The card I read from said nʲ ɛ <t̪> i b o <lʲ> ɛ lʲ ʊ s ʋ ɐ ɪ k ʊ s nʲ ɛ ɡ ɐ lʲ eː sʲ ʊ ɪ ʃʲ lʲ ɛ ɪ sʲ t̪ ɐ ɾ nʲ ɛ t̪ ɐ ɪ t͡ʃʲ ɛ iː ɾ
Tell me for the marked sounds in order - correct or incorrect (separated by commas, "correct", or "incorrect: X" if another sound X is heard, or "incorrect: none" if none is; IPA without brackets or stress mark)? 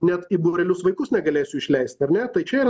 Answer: correct, incorrect: ɾʲ